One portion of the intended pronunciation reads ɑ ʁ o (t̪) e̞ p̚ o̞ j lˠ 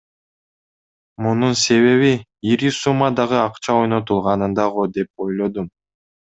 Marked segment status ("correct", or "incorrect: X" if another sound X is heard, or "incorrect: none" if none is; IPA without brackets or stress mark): incorrect: d̪